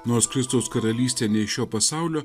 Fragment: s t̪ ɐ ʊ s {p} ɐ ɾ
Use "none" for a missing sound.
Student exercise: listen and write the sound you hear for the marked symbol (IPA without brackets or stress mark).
k